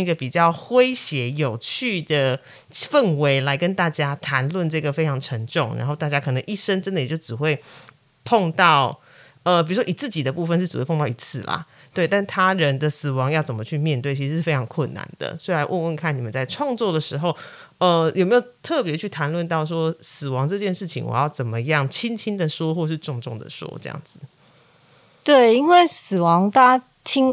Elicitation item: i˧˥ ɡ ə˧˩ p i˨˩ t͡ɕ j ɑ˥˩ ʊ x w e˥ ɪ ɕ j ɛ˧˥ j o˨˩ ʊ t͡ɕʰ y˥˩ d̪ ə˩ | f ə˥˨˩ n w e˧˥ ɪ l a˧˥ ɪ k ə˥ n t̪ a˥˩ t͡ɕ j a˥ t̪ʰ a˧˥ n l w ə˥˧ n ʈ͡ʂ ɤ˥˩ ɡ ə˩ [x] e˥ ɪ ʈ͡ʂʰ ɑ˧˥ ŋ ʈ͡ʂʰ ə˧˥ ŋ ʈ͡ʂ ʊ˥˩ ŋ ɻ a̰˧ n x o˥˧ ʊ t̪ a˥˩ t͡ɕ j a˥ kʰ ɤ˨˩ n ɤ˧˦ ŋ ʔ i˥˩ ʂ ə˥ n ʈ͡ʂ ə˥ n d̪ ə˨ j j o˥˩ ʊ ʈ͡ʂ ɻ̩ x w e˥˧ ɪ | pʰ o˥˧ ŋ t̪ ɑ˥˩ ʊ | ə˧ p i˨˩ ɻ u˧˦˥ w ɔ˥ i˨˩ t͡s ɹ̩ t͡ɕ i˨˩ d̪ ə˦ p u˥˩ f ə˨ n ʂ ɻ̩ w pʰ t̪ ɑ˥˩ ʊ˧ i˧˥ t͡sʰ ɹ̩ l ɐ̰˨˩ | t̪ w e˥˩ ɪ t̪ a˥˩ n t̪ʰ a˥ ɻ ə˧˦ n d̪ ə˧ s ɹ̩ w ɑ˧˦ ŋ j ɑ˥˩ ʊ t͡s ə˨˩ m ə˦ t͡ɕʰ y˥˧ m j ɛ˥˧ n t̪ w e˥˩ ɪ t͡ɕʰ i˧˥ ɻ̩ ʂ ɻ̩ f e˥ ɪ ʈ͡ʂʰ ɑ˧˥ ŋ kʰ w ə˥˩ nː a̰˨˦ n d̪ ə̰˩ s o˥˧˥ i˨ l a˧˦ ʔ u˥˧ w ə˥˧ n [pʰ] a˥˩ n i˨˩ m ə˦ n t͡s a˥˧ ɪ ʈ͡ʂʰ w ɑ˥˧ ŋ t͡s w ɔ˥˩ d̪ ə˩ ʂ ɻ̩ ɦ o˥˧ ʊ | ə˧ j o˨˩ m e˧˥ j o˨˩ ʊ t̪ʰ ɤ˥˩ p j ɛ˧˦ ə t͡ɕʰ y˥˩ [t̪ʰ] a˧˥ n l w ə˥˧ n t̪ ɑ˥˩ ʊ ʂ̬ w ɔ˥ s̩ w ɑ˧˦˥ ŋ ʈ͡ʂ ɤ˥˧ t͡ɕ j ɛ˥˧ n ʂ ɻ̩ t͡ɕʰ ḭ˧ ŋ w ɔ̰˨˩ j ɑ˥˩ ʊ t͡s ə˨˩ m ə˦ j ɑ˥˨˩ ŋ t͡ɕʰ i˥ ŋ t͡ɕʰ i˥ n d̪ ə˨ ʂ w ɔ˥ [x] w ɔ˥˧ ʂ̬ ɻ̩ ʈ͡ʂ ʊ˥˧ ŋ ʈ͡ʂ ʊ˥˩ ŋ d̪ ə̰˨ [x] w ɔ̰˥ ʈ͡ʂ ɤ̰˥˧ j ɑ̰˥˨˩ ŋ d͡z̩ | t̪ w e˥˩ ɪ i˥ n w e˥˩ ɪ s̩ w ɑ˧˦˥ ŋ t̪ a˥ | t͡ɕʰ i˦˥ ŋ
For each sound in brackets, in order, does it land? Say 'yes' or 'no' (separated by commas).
no, no, yes, yes, no